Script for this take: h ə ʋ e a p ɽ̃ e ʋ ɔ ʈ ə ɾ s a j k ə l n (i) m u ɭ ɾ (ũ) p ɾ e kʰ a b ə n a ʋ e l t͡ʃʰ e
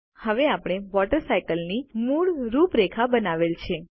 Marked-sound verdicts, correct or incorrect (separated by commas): correct, incorrect